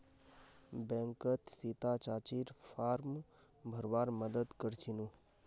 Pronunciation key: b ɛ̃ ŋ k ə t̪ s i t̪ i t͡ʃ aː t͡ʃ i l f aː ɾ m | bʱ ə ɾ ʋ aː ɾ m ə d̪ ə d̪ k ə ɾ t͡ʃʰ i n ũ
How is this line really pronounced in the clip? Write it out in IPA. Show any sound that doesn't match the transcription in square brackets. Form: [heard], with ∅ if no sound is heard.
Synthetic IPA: b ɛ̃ ŋ k ə t̪ s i t̪ [a] t͡ʃ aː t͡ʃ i [ɾ] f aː ɾ m | bʱ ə ɾ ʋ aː ɾ m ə d̪ ə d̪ k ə ɾ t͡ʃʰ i n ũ

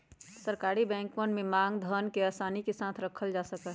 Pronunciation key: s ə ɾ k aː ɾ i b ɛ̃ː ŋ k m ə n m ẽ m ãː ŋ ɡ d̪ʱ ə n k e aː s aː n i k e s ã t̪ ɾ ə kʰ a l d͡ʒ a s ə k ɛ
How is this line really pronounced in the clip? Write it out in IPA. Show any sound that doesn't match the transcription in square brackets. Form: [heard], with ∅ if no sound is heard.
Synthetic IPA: s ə ɾ k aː ɾ i b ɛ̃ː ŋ k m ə n m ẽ m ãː ŋ ɡ d̪ʱ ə n k e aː s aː n i k e s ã [t̪ʰ] ɾ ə kʰ [ə] l d͡ʒ a s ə k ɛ

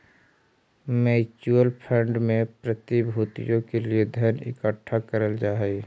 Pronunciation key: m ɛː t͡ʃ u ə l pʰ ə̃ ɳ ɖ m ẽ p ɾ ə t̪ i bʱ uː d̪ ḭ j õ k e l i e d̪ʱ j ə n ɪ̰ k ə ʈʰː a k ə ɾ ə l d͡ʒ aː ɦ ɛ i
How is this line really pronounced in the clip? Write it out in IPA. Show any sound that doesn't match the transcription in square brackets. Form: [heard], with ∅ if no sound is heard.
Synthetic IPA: m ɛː t͡ʃ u ə l pʰ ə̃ ɳ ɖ m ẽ p ɾ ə t̪ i bʱ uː [t̪] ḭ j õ k e l i e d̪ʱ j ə n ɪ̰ k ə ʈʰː a k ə ɾ ə l d͡ʒ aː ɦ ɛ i

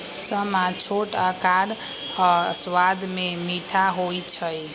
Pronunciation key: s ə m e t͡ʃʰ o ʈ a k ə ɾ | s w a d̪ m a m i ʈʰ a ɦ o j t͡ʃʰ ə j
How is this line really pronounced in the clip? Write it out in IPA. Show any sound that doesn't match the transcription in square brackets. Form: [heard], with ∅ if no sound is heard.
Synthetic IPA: s ə m [a] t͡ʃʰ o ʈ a k [a] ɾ | s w a d̪ m [e] m i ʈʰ a ɦ o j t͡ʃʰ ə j

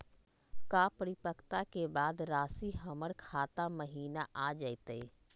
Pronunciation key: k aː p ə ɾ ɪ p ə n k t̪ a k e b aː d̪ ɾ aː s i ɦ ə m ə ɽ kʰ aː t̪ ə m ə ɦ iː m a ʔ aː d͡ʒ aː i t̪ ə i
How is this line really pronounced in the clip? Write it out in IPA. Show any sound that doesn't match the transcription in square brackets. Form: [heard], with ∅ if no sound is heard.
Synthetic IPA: k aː p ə ɾ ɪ p ə [∅] k t̪ a k e b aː d̪ ɾ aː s i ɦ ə m ə ɽ kʰ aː t̪ [a] m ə ɦ iː [n] a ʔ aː d͡ʒ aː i t̪ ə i

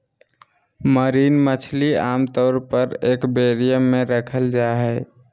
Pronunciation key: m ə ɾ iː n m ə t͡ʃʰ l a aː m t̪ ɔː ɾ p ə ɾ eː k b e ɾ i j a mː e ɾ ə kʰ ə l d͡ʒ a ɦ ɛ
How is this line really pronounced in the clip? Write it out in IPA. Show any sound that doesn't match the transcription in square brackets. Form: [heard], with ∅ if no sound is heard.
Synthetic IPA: m ə ɾ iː n m ə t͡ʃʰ l [i] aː m t̪ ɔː ɾ p ə ɾ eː k b e ɾ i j [ə] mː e ɾ ə kʰ ə l d͡ʒ a ɦ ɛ

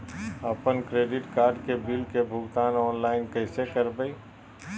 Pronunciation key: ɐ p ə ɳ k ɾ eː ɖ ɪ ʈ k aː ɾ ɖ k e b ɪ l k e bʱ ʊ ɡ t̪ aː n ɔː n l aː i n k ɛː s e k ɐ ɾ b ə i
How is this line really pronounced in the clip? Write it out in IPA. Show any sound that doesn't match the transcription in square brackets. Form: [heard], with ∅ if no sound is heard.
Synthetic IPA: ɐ p ə [n] k ɾ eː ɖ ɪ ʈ k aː ɾ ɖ k e b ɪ l k e bʱ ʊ ɡ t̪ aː n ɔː n l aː [ɪ] n k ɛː s e k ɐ ɾ b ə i

